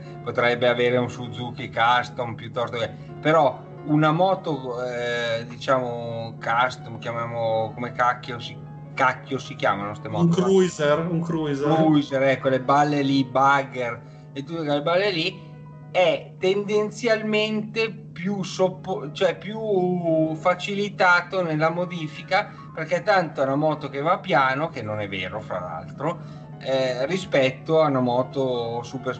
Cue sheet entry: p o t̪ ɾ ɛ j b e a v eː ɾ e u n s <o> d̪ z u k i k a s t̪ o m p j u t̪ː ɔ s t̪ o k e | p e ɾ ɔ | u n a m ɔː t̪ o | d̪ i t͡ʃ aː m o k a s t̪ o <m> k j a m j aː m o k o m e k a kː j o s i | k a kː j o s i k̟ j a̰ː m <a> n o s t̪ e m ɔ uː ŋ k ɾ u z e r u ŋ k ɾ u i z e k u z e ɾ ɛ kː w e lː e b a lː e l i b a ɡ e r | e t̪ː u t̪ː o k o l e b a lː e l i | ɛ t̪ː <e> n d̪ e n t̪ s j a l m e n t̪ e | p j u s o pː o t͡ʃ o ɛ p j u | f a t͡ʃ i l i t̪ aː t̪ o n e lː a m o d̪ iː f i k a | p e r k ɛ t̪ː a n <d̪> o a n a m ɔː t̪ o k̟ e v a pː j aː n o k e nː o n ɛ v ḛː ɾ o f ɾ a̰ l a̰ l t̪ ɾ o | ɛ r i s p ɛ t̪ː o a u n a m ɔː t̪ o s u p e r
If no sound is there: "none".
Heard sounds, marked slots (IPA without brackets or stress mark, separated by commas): u, m, a, e, t̪